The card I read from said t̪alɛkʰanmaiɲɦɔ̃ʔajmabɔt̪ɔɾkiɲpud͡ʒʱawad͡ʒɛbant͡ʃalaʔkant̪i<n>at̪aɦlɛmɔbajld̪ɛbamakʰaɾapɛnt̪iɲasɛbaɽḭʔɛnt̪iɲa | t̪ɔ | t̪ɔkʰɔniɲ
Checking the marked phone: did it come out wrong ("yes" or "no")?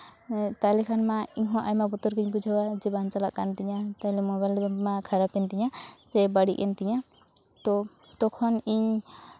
yes